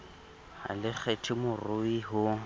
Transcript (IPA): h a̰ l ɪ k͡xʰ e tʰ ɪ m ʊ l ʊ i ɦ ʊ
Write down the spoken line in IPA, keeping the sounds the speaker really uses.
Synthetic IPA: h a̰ l ɪ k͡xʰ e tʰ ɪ m ʊ r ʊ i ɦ ʊ